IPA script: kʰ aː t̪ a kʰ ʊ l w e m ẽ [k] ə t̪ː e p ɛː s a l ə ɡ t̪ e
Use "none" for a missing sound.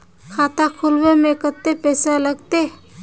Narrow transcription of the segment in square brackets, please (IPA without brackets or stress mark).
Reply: k